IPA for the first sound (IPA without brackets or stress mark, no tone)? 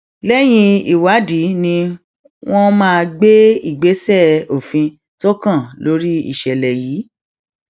l